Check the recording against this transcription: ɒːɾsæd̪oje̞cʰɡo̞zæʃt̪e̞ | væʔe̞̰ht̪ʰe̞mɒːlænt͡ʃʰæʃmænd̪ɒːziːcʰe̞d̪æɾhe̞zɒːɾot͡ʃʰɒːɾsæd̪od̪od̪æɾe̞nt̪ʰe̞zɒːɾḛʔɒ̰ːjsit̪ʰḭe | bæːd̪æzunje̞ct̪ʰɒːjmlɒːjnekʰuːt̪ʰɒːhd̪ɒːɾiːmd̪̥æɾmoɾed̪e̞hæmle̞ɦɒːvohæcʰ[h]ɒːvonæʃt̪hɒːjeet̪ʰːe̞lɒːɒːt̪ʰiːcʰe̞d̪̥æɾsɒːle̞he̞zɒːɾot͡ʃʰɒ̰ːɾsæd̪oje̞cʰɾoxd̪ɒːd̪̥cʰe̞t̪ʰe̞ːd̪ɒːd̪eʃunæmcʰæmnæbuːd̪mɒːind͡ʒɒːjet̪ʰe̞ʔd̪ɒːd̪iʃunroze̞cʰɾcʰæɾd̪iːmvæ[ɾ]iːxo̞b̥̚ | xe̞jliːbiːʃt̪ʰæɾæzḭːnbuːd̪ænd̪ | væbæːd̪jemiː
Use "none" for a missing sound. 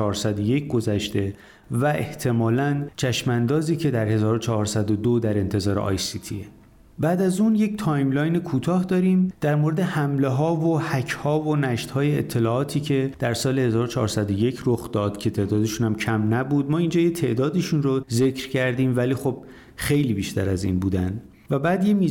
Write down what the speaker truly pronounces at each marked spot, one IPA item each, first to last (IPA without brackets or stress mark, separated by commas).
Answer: h, l